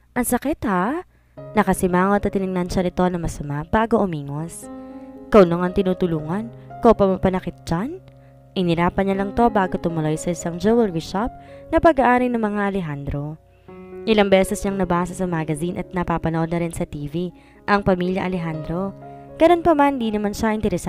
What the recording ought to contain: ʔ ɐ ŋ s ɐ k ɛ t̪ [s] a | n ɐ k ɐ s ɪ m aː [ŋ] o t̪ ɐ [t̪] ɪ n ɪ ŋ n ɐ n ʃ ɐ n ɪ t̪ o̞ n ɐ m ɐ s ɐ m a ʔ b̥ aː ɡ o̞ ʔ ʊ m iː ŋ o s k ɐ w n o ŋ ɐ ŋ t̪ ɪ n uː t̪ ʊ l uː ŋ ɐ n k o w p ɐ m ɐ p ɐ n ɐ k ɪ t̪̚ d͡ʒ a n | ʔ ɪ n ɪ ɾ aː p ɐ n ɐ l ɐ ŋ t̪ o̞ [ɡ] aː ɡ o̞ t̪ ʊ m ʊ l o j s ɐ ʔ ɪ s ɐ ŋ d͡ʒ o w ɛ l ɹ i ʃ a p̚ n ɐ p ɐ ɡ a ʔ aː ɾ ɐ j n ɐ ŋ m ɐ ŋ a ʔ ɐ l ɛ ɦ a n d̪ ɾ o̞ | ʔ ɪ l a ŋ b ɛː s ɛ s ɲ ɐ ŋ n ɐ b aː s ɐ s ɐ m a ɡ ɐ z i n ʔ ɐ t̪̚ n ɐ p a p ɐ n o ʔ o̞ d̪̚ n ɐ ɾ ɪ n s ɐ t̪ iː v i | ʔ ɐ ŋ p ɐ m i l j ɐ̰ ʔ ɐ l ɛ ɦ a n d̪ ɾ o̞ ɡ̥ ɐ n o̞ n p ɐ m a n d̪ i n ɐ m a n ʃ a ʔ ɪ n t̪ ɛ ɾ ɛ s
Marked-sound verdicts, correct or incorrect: incorrect, correct, correct, incorrect

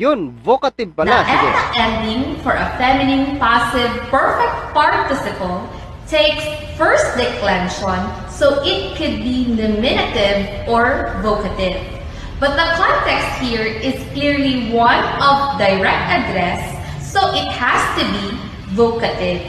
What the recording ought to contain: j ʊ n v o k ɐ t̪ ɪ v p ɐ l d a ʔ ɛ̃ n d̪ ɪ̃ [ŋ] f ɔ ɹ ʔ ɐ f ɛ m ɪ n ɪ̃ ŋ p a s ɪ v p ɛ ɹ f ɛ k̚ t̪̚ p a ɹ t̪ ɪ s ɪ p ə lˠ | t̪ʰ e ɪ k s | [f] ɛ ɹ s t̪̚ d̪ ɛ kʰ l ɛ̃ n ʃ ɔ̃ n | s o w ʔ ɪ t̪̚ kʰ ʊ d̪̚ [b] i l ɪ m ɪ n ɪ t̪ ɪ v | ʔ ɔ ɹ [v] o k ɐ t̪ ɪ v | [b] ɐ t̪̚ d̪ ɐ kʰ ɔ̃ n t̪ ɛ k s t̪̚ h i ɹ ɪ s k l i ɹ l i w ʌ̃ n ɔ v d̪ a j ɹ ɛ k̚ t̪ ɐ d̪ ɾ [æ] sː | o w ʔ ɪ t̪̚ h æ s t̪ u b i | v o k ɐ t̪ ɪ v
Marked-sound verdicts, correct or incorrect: correct, correct, correct, correct, correct, incorrect

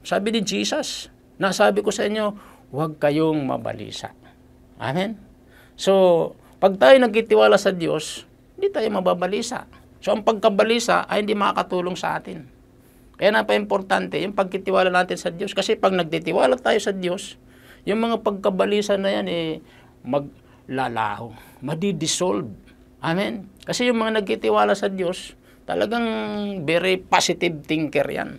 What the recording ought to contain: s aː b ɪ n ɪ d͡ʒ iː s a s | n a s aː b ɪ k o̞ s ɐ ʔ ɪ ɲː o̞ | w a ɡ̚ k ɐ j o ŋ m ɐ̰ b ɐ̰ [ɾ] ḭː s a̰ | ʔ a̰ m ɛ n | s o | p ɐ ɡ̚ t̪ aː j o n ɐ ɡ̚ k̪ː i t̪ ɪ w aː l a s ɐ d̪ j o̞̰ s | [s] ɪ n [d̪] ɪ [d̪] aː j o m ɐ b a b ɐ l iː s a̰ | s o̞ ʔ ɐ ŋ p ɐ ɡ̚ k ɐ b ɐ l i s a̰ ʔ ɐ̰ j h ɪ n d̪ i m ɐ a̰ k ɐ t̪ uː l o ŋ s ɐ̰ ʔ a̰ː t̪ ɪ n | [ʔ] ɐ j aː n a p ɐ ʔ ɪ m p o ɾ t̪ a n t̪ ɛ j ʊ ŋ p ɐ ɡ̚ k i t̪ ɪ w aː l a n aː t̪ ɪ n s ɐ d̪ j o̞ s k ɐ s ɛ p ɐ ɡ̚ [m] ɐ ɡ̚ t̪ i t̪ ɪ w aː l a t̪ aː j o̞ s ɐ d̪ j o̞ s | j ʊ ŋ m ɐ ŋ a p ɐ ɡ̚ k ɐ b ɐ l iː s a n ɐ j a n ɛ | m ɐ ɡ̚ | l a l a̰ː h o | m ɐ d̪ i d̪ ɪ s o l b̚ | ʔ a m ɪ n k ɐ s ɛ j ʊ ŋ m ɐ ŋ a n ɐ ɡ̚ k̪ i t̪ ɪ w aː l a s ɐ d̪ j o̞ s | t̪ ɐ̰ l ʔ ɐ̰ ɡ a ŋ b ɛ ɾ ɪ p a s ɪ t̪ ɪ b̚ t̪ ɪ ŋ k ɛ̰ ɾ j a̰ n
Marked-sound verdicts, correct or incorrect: incorrect, incorrect, correct, incorrect, incorrect, incorrect

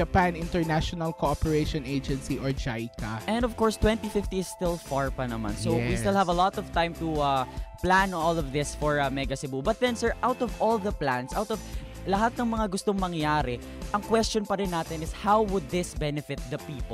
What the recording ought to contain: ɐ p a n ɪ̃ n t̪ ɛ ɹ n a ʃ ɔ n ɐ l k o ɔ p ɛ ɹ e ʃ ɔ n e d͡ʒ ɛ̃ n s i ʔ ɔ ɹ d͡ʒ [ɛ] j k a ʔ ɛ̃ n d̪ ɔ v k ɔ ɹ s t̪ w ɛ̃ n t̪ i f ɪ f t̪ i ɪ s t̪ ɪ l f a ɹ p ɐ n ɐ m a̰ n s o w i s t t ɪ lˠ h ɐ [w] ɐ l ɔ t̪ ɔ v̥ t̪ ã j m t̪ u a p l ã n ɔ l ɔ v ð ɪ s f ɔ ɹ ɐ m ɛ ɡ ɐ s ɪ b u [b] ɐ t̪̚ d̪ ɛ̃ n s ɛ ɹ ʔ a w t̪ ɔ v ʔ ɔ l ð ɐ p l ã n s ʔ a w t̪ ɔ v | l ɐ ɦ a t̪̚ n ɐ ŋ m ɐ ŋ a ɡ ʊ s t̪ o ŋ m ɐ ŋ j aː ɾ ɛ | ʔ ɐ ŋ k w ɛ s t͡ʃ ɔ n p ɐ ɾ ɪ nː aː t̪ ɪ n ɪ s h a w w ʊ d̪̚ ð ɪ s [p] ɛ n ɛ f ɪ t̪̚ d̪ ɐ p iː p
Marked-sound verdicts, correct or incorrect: incorrect, incorrect, correct, incorrect

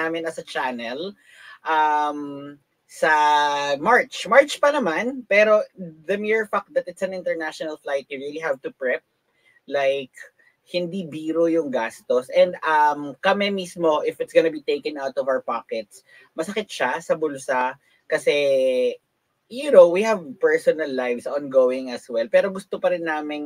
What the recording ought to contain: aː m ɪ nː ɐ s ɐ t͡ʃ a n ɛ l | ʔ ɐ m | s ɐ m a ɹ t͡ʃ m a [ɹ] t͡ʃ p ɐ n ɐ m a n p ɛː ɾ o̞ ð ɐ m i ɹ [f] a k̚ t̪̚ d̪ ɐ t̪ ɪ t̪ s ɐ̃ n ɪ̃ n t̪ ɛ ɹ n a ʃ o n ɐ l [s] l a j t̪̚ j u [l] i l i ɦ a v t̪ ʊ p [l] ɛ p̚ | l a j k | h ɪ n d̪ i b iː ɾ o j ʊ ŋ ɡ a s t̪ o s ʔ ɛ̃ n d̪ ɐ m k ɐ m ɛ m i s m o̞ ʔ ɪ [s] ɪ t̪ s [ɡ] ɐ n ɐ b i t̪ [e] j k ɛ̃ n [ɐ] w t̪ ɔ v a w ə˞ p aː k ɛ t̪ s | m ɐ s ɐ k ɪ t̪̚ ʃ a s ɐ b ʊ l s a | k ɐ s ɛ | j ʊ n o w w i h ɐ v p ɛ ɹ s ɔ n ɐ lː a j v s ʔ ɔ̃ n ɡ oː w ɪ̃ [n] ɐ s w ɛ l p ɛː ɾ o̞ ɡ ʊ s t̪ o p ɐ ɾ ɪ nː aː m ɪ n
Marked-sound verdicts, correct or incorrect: correct, correct, incorrect, incorrect, incorrect, incorrect, correct, correct, incorrect, incorrect

